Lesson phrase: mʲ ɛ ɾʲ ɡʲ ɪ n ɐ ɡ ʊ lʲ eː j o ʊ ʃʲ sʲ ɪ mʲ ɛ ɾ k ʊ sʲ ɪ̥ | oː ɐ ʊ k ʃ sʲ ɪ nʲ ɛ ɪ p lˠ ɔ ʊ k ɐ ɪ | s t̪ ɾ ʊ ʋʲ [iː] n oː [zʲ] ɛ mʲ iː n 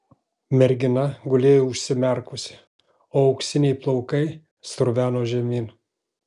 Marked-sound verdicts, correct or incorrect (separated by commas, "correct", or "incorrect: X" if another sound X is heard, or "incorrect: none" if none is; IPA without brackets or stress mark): incorrect: æː, incorrect: ʒʲ